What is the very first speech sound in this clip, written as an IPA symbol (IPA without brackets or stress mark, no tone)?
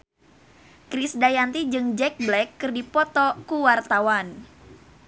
k